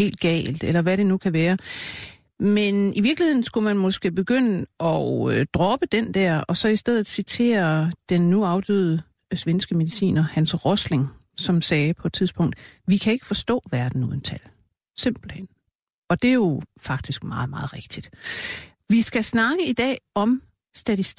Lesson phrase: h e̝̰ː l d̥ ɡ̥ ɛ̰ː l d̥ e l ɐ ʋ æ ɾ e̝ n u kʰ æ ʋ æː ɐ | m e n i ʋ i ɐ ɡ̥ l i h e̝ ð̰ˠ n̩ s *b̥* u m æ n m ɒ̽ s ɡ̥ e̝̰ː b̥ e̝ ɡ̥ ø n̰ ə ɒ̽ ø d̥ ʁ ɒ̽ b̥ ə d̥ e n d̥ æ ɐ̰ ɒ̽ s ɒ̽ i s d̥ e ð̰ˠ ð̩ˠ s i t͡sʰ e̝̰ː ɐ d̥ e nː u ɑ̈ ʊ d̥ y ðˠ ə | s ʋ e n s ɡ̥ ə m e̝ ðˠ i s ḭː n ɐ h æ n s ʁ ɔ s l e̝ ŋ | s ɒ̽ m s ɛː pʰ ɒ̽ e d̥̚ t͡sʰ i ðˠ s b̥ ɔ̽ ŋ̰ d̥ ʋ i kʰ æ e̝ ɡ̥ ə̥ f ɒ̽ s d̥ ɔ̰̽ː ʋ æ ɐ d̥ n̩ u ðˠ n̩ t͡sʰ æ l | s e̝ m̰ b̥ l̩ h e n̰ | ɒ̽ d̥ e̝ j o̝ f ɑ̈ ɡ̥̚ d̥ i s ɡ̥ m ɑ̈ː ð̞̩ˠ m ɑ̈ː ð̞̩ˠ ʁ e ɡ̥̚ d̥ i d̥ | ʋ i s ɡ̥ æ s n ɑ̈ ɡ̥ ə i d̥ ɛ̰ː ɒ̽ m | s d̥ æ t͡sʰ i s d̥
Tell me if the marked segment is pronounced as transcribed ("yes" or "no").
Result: no